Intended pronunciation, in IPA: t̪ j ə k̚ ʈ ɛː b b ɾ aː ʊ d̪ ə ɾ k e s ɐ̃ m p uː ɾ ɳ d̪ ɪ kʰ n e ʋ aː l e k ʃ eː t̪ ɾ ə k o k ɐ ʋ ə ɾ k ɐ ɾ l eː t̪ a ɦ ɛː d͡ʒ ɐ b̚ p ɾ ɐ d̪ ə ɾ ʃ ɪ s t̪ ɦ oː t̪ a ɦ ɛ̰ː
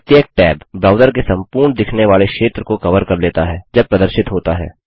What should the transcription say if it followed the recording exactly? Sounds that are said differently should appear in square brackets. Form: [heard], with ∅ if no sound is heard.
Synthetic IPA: t̪ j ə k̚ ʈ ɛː b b ɾ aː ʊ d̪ ə ɾ k e s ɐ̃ m p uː ɾ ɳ d̪ ɪ kʰ n e ʋ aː l e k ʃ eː t̪ ɾ ə k o k ɐ ʋ ə ɾ k ɐ ɾ l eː t̪ a ɦ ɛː d͡ʒ ɐ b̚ p ɾ ɐ d̪ ə ɾ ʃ ɪ [∅] t̪ ɦ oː t̪ a ɦ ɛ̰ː

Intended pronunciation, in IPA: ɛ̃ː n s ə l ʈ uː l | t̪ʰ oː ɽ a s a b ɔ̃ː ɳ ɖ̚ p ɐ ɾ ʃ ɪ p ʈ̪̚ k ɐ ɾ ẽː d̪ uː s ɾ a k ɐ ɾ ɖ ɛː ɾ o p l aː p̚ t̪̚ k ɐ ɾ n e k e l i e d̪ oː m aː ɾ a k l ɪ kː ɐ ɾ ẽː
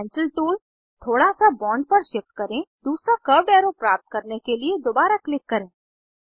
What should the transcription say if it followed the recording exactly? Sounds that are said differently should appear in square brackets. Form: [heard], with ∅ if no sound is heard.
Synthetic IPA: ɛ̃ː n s ə l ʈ uː l | t̪ʰ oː ɽ a s a b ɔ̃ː ɳ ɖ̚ p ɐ ɾ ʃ ɪ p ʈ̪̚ k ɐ ɾ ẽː d̪ uː s ɾ a k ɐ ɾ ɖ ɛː ɾ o p [ɾ] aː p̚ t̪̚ k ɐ ɾ n e k e l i e d̪ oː [b] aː ɾ a k l ɪ kː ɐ ɾ ẽː

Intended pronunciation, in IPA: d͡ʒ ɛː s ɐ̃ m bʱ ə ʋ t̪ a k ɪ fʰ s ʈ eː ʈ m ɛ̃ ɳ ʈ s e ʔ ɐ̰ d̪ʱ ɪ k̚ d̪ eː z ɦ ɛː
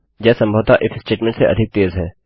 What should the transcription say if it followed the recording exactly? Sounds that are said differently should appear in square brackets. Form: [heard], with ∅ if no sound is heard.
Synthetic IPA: d͡ʒ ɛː s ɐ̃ m bʱ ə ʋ t̪ a [ʔ] ɪ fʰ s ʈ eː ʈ m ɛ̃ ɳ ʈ s e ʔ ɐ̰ d̪ʱ ɪ k̚ [t̪] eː z ɦ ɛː

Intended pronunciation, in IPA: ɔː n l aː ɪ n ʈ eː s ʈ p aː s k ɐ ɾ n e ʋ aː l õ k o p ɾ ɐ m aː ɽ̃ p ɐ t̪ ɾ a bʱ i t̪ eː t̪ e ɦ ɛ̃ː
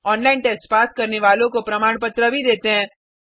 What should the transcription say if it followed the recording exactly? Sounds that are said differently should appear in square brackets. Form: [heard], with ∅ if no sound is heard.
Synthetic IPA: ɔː n l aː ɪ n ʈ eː s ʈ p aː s k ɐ ɾ n e ʋ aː l õ k o p ɾ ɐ m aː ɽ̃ p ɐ t̪ ɾ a bʱ i [d̪] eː t̪ e ɦ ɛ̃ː

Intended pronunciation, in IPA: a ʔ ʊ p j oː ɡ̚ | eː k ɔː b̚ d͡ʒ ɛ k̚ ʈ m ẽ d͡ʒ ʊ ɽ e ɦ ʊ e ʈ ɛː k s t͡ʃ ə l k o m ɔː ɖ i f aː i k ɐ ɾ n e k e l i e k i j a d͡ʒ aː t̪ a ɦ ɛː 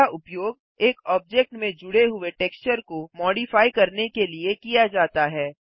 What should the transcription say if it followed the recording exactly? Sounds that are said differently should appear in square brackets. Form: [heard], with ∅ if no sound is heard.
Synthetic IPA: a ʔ ʊ p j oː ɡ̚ | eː k ɔː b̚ d͡ʒ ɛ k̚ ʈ m ẽ d͡ʒ ʊ ɽ e ɦ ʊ e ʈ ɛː k s t͡ʃ ə [ɾ] k o m ɔː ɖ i f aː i k ɐ ɾ n e k e l i e k i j a d͡ʒ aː t̪ a ɦ ɛː

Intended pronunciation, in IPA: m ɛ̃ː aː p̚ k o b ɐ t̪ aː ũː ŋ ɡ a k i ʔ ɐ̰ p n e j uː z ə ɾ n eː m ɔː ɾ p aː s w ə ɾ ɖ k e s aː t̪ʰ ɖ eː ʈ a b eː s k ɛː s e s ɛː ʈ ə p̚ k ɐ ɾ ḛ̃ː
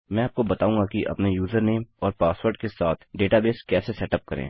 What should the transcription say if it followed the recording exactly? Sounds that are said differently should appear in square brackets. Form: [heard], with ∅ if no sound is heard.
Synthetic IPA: m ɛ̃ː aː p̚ k o b ɐ t̪ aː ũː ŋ ɡ a k i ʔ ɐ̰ p n e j uː z ə ɾ n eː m ɔː ɾ p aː s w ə ɾ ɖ k e s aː t̪ʰ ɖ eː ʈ a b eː s k ɛː s e s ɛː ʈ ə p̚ k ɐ ɾ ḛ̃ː

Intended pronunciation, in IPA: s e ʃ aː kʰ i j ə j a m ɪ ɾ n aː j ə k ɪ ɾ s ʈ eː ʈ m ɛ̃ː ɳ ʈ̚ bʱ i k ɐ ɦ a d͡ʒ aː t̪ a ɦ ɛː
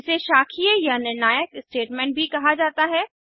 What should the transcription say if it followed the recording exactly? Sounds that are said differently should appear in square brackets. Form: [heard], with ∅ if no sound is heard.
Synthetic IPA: s e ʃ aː kʰ i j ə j a [n] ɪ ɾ n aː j ə k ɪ [∅] s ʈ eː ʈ m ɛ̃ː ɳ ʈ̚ bʱ i k ɐ ɦ a d͡ʒ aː t̪ a ɦ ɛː

